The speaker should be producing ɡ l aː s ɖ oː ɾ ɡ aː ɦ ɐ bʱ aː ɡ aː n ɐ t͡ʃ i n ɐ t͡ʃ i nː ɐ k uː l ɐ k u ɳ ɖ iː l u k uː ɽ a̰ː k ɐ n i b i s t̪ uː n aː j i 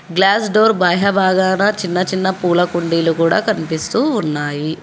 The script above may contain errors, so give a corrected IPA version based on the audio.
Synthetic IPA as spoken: ɡ l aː s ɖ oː ɾ b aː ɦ ɐ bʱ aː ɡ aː n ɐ t͡ʃ i nː ɐ t͡ʃ i nː ɐ p uː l ɐ k u ɳ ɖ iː l u k uː ɽ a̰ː k ɐ n i p i s t̪ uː nː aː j i

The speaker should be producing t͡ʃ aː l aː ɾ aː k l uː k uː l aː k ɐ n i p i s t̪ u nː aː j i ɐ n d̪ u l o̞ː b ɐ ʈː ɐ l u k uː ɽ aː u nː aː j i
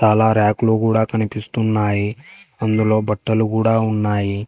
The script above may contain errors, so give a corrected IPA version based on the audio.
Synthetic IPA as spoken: t͡ʃ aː l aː ɾ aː k l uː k uː ɽ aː k ɐ n i p i s t̪ u nː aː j i ɐ n d̪ u l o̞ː b ɐ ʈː ɐ l u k uː ɽ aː u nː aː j i

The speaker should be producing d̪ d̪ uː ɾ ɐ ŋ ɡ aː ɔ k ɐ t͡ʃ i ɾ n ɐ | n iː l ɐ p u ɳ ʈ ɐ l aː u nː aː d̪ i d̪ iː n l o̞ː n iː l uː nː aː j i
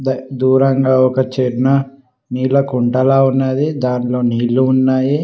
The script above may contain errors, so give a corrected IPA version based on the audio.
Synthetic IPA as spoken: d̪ d̪ uː ɾ ɐ ŋ ɡ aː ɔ k ɐ t͡ʃ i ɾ n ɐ | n iː l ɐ k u ɳ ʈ ɐ l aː u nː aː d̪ i d̪ aː n l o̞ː n iː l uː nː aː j i

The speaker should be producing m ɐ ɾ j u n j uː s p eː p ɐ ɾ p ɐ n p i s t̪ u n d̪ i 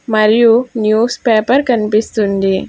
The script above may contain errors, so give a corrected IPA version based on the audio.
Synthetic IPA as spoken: m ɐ ɾ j u n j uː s p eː p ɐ ɾ k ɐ n p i s t̪ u n d̪ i

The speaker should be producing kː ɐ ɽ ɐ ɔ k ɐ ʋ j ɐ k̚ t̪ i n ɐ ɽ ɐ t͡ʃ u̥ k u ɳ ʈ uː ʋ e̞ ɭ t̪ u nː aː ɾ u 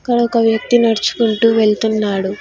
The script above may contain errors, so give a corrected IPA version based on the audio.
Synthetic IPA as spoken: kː ɐ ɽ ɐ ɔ k ɐ ʋ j ɐ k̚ t̪ i n ɐ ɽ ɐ t͡ʃ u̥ k u ɳ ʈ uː ʋ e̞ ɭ t̪ u nː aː ɽ u

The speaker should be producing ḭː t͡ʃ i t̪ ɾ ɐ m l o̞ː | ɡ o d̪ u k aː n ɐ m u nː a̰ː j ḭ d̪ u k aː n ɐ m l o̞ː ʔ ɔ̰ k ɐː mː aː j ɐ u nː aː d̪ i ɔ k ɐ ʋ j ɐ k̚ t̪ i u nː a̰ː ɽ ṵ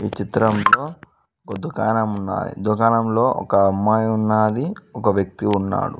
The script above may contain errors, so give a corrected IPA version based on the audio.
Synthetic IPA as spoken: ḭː t͡ʃ i t̪ ɾ ɐ m l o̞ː | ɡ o d̪ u k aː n ɐ m u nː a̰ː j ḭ d̪ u k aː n ɐ m l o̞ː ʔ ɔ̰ k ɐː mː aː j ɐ u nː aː d̪ i ɔ k ɐ ʋ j ɐ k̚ t̪ i u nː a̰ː ɽ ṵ

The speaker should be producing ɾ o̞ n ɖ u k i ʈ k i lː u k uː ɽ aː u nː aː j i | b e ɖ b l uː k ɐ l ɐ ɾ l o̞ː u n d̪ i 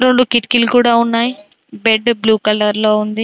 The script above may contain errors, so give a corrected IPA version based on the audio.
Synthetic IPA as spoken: ɾ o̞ ɳ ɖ u k i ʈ k i l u k uː ɽ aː u nː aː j i | b e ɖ b l uː k ɐ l ɐ ɾ l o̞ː u n d̪ i

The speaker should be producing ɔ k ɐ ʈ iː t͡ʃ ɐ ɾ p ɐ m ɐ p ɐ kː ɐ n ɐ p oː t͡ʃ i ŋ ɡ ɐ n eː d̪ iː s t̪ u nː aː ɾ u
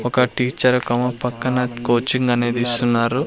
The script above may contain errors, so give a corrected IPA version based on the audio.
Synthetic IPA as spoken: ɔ k ɐ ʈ iː t͡ʃ ɐ ɾ k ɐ m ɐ p ɐ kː ɐ n ɐ k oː t͡ʃ i ŋ ɡ ɐ n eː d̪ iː s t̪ u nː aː ɾ u

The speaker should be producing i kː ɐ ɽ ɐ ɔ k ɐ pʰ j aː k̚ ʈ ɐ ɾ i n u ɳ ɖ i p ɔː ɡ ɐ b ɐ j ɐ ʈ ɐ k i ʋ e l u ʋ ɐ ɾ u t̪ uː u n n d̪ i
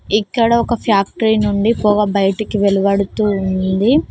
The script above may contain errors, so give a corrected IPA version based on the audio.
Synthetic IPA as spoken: i kː ɐ ɽ ɐ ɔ k ɐ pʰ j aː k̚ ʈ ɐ ɾ i n u ɳ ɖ i p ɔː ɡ ɐ b ɐ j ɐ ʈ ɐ k i ʋ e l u ʋ ɐ ɽ u t̪ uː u n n d̪ i

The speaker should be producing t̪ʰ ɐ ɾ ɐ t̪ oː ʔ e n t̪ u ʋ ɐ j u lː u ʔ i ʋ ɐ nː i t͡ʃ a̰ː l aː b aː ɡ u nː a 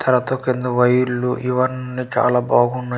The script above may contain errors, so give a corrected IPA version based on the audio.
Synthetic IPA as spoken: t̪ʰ ɐ ɾ ɐ t̪ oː k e n d̪ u ʋ ɐ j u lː u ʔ i ʋ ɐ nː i t͡ʃ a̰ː l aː b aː ɡ u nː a

